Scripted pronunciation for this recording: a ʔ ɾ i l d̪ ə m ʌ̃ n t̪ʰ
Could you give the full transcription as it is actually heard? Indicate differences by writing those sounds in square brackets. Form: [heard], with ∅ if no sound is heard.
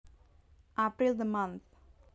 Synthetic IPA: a [p] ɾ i l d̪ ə m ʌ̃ n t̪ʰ